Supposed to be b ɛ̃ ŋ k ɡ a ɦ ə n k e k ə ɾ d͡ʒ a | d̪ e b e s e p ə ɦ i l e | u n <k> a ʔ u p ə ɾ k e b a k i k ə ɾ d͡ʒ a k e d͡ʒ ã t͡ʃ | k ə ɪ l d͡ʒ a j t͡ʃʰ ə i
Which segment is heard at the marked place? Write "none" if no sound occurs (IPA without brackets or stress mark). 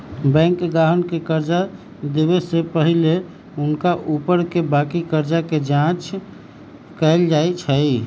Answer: k